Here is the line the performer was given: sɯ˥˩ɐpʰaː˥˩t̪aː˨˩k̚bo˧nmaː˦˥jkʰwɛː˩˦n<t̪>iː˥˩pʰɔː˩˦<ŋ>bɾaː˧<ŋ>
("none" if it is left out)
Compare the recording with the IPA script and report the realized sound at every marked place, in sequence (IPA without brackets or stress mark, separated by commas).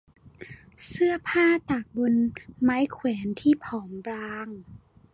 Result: t̪ʰ, m, ŋ